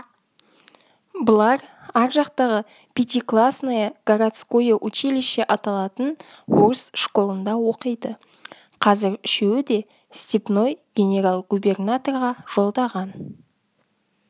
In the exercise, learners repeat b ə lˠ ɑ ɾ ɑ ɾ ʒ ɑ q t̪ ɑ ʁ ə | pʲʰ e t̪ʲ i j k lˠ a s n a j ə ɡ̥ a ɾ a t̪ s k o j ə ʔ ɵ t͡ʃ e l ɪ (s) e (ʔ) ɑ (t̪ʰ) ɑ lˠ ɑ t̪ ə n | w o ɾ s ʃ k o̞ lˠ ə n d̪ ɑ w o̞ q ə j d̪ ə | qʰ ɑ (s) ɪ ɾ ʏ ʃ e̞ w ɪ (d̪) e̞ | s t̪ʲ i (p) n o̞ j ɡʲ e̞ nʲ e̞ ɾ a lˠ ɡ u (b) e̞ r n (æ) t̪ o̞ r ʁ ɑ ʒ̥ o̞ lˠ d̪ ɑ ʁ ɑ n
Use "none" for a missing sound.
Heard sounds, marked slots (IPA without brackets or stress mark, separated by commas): ʃ, ʔ, t̪, z, d̪, p, b, a